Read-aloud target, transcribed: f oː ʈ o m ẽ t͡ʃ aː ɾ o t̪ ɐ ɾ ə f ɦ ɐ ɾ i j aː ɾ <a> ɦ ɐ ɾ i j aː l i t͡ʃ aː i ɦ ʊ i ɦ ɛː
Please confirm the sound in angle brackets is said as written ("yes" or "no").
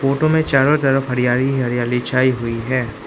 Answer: no